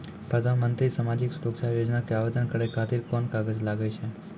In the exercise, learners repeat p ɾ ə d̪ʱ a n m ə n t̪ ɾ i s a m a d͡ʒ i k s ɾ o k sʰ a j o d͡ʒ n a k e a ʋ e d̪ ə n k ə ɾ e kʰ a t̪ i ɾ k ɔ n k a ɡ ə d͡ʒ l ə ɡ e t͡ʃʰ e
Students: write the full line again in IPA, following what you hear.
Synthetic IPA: p ɾ ə d̪ʱ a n m ə n t̪ ɾ i s a m a d͡ʒ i k s ɾ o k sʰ a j o d͡ʒ n a k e a ʋ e d̪ ə n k ə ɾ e kʰ a t̪ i ɾ k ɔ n k a ɡ ə d͡ʒ l a ɡ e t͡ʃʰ e